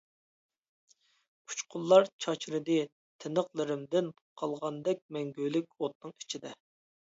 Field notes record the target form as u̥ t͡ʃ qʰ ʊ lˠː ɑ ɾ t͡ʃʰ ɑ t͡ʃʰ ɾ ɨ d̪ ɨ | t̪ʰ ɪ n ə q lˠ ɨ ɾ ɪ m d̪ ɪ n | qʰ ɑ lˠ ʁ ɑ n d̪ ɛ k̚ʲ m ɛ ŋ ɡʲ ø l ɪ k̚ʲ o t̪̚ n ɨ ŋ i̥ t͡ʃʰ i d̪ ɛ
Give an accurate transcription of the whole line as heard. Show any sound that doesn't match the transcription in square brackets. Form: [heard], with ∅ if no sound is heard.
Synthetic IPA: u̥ t͡ʃ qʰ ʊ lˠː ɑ ɾ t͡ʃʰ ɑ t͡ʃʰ ɾ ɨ d̪ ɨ | t̪ʰ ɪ n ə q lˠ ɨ ɾ ɪ m d̪ ɪ n | qʰ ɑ lˠ ʁ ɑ n d̪ ɛ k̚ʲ m ɛ ŋ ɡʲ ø l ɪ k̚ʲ o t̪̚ n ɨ ŋ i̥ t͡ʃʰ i d̪ ɛ